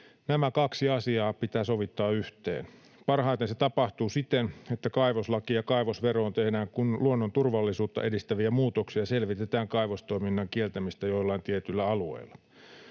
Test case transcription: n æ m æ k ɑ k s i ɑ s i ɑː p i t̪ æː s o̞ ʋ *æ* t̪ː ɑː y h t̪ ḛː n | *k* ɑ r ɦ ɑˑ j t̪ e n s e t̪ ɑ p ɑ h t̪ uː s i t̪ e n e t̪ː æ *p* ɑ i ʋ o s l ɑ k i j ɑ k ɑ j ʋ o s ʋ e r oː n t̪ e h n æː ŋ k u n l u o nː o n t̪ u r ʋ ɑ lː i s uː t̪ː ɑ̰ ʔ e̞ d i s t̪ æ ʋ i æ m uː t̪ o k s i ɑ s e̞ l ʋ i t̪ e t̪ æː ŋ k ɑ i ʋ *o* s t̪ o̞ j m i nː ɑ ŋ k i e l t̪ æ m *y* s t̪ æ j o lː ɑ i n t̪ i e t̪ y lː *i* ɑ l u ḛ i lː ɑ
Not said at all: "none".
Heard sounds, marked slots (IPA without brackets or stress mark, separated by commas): i, p, k, o, i, æ